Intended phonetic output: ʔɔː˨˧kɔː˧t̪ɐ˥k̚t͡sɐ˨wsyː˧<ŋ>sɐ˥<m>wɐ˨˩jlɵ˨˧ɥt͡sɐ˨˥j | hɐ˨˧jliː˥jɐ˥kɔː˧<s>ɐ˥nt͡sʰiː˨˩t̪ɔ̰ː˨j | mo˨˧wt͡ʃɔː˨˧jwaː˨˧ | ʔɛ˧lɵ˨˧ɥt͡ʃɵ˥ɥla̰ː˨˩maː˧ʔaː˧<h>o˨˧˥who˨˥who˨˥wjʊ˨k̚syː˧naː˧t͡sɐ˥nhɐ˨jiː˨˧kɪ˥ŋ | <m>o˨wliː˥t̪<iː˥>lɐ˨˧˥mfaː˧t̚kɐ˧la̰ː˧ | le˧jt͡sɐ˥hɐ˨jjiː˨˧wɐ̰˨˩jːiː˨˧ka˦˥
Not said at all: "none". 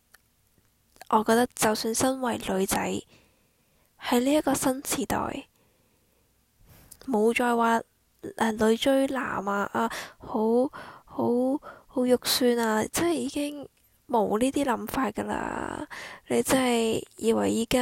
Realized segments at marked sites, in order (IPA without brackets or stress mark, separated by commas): n, n, s, h, m, iː˥